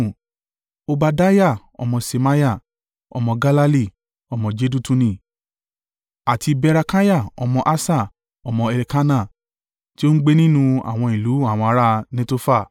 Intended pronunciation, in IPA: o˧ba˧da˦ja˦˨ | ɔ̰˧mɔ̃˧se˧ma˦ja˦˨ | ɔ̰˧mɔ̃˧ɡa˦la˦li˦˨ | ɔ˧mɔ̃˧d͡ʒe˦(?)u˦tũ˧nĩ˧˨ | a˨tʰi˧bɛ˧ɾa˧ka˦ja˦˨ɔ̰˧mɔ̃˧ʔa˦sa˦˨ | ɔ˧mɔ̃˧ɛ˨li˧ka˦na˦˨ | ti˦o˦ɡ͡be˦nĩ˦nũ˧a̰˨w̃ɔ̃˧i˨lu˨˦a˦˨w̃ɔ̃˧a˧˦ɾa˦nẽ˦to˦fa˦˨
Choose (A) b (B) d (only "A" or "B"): B